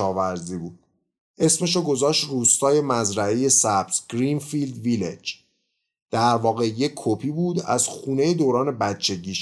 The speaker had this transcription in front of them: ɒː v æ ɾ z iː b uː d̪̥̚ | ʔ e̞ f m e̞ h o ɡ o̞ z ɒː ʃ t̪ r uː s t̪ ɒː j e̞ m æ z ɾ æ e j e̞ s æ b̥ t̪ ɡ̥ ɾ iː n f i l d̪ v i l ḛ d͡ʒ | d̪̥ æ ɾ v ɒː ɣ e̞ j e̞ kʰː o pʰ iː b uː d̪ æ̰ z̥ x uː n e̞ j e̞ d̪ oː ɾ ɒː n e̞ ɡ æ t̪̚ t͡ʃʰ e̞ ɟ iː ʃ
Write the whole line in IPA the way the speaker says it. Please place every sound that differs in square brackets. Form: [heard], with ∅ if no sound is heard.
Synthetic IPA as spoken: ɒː v æ ɾ z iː b uː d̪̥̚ | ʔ e̞ [s] m e̞ [ʃ] o ɡ o̞ z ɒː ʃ t̪ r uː s t̪ ɒː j e̞ m æ z ɾ æ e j e̞ s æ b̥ t̪ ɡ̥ ɾ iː n f i l d̪ v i l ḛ d͡ʒ | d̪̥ æ ɾ v ɒː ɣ e̞ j e̞ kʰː o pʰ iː b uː d̪ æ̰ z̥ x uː n e̞ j e̞ d̪ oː ɾ ɒː n e̞ [b] æ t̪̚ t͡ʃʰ e̞ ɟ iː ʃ